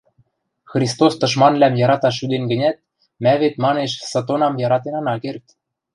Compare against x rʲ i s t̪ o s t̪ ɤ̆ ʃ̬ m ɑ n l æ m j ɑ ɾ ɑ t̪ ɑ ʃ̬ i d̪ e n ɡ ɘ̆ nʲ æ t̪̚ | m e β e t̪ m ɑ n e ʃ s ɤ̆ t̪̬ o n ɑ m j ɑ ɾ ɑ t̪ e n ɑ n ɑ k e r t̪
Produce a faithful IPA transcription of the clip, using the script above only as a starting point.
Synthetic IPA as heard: x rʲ i s t̪ o s t̪ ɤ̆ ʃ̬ m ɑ n l æ m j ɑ ɾ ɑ t̪ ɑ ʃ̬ y d̪ e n ɡ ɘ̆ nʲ æ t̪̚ | m æ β e t̪ m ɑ n e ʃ s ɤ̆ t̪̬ o n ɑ m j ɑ ɾ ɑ t̪ e n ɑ n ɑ k e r t̪